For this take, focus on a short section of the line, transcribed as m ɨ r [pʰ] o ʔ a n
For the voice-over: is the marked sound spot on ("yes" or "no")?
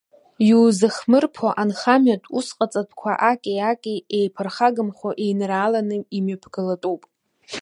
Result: yes